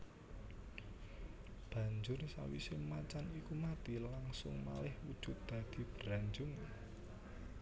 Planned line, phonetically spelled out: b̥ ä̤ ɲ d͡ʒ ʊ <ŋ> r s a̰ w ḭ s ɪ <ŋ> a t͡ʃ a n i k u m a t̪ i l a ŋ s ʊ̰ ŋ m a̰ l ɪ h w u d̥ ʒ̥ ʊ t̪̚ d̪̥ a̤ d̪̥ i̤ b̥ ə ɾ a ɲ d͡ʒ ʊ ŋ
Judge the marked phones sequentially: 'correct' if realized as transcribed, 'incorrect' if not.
incorrect: none, incorrect: m

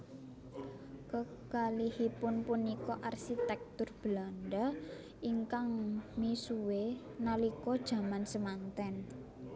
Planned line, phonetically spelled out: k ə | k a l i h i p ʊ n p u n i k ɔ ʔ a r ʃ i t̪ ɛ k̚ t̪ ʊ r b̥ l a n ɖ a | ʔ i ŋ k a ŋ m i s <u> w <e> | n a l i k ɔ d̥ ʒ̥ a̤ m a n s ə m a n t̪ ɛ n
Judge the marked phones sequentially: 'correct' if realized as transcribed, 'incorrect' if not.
correct, correct

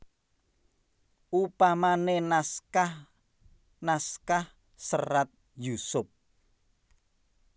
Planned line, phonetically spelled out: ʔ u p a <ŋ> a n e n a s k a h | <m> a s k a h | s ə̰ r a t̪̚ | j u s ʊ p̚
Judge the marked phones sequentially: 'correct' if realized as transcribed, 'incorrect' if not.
incorrect: m, incorrect: n

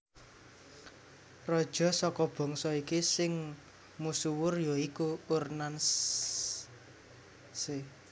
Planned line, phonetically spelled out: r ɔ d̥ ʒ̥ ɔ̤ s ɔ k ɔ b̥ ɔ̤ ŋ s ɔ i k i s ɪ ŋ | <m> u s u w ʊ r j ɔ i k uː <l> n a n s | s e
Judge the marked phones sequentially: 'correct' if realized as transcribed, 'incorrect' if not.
correct, incorrect: r

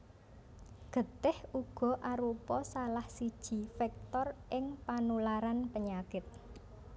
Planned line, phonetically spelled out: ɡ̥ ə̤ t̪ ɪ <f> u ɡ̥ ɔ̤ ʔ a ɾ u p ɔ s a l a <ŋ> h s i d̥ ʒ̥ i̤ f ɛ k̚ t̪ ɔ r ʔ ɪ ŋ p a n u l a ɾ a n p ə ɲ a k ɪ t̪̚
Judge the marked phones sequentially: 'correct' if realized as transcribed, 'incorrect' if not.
incorrect: h, incorrect: none

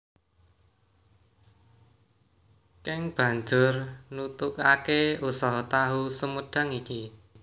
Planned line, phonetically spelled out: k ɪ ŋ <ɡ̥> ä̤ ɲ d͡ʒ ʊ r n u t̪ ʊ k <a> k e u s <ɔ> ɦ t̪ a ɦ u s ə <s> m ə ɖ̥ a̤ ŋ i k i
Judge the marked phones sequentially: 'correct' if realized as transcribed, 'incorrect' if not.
incorrect: b̥, correct, correct, incorrect: none

